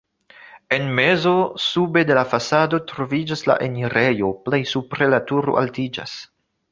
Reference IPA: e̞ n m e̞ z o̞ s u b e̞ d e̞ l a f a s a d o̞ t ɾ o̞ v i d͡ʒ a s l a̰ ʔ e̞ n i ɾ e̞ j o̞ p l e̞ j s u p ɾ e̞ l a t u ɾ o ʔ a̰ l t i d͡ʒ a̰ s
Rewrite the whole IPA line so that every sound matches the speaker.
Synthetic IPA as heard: e̞ n m e̞ z o̞ s u b e̞ d e̞ l a f a s a d o̞ t ɾ o̞ v i d͡ʒ a s l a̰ ʔ e̞ n i ɾ e̞ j o̞ p l e̞ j s u p ɾ e̞ l a t u ɾ o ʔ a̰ l t i d͡ʒ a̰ s